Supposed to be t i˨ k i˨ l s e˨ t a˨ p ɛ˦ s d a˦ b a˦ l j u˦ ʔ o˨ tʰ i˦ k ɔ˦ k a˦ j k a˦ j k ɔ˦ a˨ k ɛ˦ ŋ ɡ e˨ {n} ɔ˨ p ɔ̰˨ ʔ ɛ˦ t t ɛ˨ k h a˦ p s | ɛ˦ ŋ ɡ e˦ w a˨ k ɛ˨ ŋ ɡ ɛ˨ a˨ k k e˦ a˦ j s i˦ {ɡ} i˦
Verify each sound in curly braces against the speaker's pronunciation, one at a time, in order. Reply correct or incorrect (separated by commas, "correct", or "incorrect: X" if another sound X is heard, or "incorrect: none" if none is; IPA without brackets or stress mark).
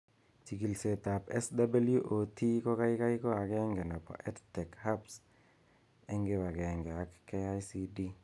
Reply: correct, incorrect: d